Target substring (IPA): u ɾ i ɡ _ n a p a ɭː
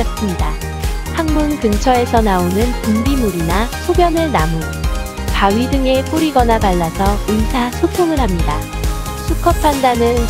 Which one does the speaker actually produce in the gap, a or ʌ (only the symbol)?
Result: ʌ